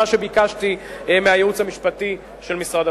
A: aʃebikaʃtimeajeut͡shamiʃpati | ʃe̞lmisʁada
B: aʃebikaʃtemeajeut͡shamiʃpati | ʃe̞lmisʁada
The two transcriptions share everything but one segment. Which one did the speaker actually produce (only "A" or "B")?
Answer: A